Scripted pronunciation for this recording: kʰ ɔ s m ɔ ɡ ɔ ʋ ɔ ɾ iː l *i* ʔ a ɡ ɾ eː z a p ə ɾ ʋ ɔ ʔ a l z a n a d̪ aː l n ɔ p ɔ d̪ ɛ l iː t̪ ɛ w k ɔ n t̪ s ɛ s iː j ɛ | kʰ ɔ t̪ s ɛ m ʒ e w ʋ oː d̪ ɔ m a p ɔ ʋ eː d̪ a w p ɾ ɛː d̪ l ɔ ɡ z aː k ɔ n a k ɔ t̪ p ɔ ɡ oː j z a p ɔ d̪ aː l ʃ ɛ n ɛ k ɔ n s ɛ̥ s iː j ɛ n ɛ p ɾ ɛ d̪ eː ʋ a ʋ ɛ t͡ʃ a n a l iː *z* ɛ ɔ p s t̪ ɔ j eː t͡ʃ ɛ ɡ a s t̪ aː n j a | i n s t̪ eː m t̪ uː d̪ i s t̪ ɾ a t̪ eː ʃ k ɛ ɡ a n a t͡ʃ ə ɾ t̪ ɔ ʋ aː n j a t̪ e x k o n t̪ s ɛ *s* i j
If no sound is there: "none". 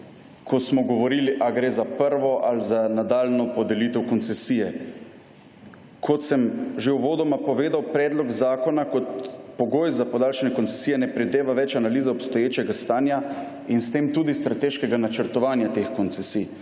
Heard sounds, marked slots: i, z, s

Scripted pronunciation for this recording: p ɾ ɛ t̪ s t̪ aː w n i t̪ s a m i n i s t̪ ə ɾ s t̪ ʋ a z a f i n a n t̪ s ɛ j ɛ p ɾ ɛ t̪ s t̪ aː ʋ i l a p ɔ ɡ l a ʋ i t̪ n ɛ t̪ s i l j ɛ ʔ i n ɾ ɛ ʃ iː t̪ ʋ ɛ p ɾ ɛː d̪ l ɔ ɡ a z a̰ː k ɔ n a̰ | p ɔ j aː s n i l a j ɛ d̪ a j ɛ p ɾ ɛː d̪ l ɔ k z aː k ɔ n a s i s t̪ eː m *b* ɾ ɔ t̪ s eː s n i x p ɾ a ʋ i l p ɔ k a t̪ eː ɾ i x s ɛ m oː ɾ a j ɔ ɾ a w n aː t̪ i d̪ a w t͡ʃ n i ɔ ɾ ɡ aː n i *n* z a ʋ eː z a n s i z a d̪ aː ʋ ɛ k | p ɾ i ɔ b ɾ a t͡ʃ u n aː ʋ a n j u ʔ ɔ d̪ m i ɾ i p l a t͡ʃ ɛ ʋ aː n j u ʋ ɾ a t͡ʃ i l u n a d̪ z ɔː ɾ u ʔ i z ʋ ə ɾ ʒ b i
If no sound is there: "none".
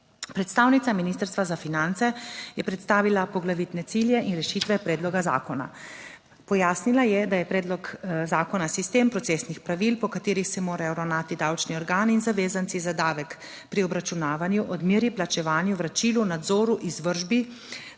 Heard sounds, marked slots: p, n

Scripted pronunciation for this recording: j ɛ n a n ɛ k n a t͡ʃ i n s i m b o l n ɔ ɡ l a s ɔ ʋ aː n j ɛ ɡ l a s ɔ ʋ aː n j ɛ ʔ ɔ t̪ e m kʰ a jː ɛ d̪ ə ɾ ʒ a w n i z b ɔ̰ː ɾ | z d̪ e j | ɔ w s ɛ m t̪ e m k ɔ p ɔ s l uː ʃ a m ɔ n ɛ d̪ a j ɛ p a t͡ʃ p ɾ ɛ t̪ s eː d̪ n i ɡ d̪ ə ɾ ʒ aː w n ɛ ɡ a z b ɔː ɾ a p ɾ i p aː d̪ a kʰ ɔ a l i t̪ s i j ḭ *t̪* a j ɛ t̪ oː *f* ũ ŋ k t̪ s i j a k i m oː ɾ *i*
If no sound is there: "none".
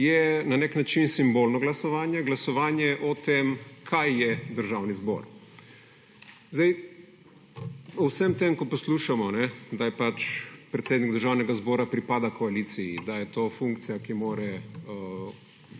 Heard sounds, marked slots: d̪, f, ɛ

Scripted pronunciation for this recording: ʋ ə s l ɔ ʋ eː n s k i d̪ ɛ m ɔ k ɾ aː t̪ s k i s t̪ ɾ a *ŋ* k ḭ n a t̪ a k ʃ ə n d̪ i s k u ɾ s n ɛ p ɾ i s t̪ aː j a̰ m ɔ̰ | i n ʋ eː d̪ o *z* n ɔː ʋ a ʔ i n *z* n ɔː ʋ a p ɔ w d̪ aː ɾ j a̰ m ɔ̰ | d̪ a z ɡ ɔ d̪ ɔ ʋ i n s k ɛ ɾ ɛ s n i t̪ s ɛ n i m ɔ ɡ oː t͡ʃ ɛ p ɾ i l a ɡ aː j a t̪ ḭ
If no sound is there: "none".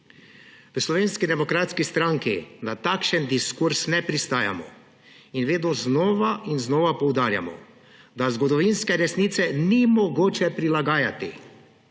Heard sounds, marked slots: ŋ, z, z

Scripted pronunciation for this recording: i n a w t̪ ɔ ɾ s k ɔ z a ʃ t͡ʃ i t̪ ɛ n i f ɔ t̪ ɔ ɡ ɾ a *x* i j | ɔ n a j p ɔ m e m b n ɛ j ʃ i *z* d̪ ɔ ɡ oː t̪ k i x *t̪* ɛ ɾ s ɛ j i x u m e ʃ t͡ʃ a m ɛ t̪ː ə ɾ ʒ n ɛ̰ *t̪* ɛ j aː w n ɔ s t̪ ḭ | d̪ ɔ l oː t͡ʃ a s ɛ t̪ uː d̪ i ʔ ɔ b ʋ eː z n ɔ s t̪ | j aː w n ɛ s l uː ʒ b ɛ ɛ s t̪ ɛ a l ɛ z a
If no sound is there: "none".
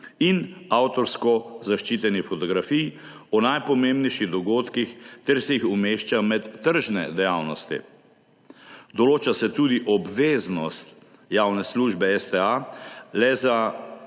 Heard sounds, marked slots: f, ɣ, t̪, d̪

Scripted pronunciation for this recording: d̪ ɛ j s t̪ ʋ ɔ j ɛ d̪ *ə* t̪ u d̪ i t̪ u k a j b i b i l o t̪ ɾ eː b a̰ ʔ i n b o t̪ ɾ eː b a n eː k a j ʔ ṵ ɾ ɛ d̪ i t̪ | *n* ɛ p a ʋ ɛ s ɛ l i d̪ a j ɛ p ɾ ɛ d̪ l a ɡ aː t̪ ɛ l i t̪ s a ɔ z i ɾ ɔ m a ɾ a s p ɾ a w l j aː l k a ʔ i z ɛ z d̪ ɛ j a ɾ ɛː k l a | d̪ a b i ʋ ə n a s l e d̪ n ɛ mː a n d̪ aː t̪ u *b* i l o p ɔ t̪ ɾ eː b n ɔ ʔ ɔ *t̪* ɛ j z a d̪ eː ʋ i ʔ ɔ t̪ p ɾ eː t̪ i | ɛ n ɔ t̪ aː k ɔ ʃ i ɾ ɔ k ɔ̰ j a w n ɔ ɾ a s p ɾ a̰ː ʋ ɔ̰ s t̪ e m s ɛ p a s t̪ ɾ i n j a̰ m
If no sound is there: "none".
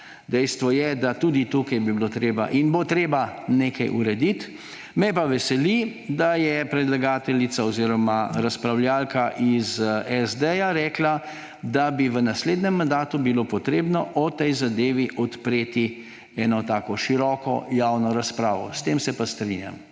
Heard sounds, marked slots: a, m, b, t̪

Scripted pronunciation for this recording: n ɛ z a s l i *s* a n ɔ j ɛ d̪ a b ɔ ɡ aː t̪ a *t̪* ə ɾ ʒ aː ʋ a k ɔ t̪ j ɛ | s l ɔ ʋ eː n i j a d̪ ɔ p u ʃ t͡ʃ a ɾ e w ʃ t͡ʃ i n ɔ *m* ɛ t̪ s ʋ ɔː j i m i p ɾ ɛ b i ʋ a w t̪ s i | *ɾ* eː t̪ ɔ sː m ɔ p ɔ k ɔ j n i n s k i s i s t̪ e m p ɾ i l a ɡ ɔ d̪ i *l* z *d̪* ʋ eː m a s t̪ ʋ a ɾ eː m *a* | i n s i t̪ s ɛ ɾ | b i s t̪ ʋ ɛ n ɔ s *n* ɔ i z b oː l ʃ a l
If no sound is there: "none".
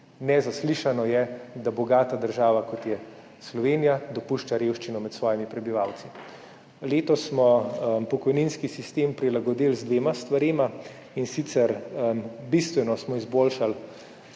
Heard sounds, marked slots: ʃ, d̪, m, l, l, d̪, a, m

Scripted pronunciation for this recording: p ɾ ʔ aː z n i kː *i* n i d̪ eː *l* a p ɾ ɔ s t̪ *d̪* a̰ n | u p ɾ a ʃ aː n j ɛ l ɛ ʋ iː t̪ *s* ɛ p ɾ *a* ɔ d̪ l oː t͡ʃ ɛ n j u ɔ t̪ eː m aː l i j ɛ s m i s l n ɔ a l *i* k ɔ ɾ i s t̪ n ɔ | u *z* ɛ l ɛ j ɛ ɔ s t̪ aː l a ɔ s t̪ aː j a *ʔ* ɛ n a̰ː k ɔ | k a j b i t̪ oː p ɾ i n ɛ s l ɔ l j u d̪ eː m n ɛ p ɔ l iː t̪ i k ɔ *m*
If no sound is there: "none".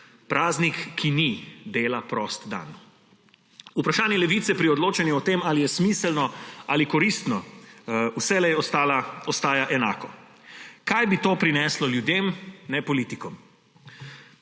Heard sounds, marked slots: i, l, d̪, s, i, i, s, ʔ, m

